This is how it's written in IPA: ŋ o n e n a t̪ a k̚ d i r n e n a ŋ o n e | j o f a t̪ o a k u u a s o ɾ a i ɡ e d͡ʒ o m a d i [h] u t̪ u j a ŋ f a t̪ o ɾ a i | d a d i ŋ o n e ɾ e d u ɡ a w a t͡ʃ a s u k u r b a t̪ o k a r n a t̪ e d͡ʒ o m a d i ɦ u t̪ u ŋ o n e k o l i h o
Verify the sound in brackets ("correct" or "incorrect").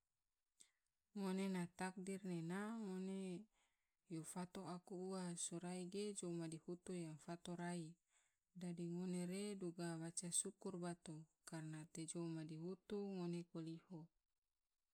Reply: correct